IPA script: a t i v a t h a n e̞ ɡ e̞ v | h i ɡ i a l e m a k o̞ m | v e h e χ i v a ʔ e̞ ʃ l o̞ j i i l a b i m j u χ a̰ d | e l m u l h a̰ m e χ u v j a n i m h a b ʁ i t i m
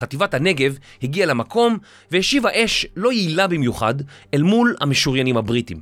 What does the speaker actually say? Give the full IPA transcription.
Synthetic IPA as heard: a t i v a t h a n e̞ ɡ e̞ v | h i ɡ i a l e m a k o̞ m | v e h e ʃ i v a ʔ e̞ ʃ l o̞ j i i l a b i m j u χ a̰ d | e l m u l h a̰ m e ʃ u ʁ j a n i m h a b ʁ i t i m